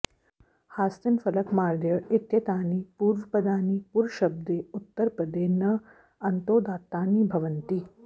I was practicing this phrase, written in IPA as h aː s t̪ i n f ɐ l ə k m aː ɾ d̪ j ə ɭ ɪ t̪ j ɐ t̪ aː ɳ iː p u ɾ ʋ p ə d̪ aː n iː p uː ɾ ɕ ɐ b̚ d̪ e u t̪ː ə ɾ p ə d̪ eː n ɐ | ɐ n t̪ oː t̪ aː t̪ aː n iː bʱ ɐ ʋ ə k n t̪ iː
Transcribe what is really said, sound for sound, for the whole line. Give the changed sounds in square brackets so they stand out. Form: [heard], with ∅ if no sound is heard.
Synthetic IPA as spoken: h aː s t̪ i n f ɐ l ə k m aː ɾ d̪ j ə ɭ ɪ t̪ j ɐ t̪ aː [n] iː p u ɾ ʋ p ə d̪ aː n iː p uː ɾ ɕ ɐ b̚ d̪ e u t̪ː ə ɾ p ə d̪ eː n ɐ | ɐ n t̪ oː [d̪] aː t̪ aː n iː bʱ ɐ ʋ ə [∅] n t̪ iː